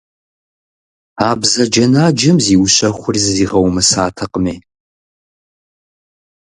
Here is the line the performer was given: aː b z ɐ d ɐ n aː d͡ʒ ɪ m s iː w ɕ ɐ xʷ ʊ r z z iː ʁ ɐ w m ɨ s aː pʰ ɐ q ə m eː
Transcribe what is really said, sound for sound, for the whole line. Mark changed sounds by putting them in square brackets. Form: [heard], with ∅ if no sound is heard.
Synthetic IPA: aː b z ɐ [d͡ʒ] ɐ n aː d͡ʒ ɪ m [z] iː w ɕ ɐ [χʷ] ʊ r z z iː ʁ ɐ w m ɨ s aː [tʰ] ɐ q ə m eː